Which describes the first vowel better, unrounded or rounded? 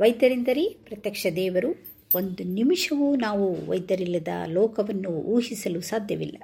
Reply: unrounded